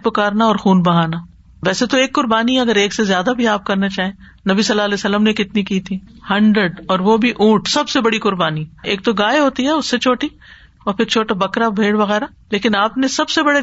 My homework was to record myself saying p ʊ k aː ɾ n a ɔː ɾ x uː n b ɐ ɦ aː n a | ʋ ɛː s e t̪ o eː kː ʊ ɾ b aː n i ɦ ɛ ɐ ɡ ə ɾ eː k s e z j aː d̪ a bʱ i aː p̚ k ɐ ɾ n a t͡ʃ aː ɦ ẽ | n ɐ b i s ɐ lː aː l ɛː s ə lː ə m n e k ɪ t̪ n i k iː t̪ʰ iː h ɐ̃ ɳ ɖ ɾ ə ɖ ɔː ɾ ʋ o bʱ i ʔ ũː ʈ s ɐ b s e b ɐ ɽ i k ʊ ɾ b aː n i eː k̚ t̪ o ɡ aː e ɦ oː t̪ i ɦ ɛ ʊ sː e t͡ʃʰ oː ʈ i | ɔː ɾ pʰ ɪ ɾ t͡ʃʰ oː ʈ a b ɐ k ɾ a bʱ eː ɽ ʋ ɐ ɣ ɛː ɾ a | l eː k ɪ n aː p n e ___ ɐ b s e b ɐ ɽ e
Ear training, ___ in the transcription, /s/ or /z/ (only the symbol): s